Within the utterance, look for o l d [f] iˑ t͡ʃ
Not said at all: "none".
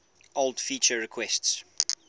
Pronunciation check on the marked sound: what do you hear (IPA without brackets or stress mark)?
f